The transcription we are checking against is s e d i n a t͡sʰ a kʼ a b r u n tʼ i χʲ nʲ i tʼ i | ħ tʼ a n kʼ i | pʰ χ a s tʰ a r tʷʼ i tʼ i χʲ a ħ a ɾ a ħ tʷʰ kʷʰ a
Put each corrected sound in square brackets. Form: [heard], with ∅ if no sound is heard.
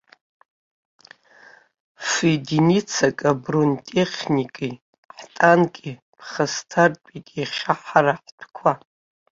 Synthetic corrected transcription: [f] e d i n [i] t͡sʰ a kʼ a b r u n tʼ [e] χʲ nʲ i [kʼ] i | ħ tʼ a n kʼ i | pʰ χ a s tʰ a r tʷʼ i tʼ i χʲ a ħ a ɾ a ħ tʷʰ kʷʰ a